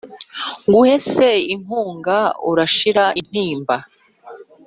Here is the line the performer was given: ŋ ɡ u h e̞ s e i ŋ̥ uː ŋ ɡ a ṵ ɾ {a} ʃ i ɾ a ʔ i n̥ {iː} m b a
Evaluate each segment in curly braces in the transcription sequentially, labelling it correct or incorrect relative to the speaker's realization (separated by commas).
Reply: correct, correct